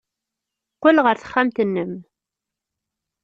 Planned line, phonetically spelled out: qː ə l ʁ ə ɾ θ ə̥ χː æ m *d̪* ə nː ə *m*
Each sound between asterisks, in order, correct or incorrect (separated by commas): incorrect, correct